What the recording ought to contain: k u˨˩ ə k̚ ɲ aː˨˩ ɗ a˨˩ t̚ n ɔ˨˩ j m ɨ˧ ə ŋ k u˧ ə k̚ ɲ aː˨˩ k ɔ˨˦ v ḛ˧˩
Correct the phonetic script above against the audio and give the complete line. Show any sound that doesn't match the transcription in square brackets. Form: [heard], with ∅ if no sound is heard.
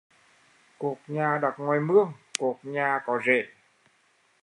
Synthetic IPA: k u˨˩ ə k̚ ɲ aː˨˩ ɗ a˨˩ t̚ [ŋ] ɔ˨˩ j m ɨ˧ ə ŋ k [u˨˩] ə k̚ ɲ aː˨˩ k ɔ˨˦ [z] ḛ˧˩

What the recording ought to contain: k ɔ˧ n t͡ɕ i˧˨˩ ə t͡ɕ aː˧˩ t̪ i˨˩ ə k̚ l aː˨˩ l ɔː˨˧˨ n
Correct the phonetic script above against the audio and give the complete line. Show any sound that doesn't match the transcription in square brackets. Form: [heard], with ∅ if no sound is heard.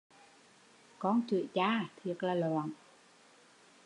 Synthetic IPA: k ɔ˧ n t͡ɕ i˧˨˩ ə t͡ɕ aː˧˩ [t̪ʰ] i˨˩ ə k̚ l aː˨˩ l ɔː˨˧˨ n

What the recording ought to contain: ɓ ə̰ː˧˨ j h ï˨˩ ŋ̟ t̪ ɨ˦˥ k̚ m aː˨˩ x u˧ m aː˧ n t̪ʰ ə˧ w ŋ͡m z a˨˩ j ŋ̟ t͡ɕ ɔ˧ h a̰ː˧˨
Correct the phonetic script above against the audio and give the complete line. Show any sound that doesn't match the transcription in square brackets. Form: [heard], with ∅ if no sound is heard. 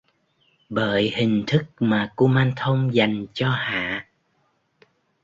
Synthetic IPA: ɓ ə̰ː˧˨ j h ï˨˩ ŋ̟ [t̪ʰ] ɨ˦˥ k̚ m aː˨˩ [k] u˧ m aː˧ n t̪ʰ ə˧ w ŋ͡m z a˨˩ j ŋ̟ t͡ɕ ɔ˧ h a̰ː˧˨

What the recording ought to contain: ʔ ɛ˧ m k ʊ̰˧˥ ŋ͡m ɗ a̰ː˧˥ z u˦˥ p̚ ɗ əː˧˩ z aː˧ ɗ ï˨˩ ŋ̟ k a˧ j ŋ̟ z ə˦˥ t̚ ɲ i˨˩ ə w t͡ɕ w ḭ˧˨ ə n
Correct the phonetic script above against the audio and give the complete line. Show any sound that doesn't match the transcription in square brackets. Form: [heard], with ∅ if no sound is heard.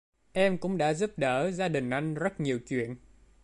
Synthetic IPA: ʔ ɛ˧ m k ʊ̰˧˥ ŋ͡m ɗ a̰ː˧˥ z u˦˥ p̚ ɗ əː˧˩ z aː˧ ɗ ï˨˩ ŋ̟ [ʔ] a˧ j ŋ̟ z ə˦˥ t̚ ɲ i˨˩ ə w t͡ɕ w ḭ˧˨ ə n

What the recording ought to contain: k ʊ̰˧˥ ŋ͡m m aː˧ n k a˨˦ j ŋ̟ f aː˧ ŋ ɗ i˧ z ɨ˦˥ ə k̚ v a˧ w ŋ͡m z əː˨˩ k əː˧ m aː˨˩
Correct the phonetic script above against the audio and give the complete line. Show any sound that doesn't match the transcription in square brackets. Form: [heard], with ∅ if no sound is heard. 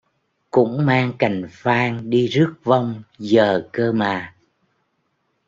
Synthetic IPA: k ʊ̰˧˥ ŋ͡m m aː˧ [ŋ] k [a˨˩] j ŋ̟ f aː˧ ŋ ɗ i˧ z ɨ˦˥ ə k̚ v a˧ w ŋ͡m z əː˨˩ k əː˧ m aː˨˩

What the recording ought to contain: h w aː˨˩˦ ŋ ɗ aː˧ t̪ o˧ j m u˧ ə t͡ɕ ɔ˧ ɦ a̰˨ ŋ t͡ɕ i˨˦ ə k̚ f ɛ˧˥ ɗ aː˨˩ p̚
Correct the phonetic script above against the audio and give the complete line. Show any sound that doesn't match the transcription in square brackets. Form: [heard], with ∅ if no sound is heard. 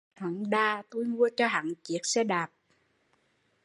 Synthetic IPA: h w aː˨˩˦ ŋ ɗ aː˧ t̪ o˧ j m u˧ ə t͡ɕ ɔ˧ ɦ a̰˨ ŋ t͡ɕ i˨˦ ə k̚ [s] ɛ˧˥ ɗ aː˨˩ p̚

